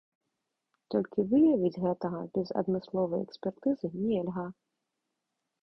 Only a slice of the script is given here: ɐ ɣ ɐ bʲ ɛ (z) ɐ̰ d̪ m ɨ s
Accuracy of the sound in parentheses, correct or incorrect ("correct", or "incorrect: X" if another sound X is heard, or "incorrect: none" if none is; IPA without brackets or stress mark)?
correct